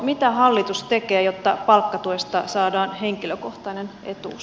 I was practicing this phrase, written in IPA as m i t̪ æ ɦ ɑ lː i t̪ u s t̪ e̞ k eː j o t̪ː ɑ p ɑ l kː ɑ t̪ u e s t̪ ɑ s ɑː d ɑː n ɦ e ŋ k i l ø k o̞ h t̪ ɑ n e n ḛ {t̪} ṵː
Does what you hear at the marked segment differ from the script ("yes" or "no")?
no